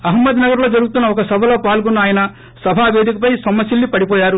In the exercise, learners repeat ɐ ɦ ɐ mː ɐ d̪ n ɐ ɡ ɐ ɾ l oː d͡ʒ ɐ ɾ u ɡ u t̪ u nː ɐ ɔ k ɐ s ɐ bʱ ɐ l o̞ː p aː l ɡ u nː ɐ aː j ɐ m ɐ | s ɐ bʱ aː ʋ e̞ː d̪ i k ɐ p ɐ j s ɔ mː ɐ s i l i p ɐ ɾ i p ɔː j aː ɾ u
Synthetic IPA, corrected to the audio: ɐ ɦ ɐ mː ɐ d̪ n ɐ ɡ ɐ ɾ l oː d͡ʒ ɐ ɾ u ɡ u t̪ u nː ɐ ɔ k ɐ s ɐ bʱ ɐ l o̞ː p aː l ɡ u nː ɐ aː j ɐ n ɐ | s ɐ bʱ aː ʋ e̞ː d̪ i k ɐ p ɐ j s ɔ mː ɐ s i lː i p ɐ ɽ i p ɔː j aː ɾ u